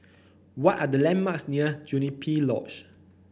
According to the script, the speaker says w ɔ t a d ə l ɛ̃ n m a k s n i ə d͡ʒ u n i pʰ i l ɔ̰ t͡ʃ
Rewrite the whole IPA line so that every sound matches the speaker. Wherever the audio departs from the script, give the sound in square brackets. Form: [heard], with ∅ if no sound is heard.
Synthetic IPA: w ɔ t a d ə l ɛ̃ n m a k s n i ə d͡ʒ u n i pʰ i l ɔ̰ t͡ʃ